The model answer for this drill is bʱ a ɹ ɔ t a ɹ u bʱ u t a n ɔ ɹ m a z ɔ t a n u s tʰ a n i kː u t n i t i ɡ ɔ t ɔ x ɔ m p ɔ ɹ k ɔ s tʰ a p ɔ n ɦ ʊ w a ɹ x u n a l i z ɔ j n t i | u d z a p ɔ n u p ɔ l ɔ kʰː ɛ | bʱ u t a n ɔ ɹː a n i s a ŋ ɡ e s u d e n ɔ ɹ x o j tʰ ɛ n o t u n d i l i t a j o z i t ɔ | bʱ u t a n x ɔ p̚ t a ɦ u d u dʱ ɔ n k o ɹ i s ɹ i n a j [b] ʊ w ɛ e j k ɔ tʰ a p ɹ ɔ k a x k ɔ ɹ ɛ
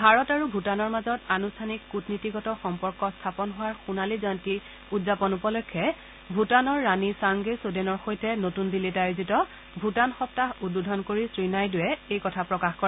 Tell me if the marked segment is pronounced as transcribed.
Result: no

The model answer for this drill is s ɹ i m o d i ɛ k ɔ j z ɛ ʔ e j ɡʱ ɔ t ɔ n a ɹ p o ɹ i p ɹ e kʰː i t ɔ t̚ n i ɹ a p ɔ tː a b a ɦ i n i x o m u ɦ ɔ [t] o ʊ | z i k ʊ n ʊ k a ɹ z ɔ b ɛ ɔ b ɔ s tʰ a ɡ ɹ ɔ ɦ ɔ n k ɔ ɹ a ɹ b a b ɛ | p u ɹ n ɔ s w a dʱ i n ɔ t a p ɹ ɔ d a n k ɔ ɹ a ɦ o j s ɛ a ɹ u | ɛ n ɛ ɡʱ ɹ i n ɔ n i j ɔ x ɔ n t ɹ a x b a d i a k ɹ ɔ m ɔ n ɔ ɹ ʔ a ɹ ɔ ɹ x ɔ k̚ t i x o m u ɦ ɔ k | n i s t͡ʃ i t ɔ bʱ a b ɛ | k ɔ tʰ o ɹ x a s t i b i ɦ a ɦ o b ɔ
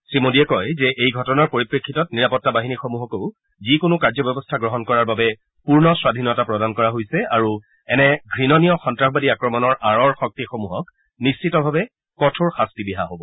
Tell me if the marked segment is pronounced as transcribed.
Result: no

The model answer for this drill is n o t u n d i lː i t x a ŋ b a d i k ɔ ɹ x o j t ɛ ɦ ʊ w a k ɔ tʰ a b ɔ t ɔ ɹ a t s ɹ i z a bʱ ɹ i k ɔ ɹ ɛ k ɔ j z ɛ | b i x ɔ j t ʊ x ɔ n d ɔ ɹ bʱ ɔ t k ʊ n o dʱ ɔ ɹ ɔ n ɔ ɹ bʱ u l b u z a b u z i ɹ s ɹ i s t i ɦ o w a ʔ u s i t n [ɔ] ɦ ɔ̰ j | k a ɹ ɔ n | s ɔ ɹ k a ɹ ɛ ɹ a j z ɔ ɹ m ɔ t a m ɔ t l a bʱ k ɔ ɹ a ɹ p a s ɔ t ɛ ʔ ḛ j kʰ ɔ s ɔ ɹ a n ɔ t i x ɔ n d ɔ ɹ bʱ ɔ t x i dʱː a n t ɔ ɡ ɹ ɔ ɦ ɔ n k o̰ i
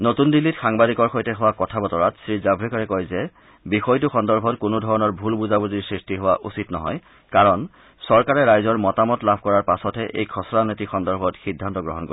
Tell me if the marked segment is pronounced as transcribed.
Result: yes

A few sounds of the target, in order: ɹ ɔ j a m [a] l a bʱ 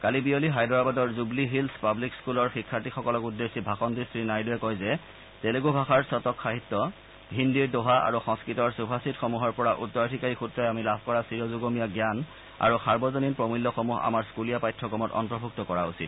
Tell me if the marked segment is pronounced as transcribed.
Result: no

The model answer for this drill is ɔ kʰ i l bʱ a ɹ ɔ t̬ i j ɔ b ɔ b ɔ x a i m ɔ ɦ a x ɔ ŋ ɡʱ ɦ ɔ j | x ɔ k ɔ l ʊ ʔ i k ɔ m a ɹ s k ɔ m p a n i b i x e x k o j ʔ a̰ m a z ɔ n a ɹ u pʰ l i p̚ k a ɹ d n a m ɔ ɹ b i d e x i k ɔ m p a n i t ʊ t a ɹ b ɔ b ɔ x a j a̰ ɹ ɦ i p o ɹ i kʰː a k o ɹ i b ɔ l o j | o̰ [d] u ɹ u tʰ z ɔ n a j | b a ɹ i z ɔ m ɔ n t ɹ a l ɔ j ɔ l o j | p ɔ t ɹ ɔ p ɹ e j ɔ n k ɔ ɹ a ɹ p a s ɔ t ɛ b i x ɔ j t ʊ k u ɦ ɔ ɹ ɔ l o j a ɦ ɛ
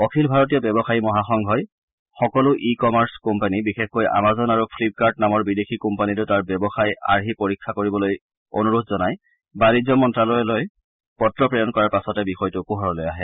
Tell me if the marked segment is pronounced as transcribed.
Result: no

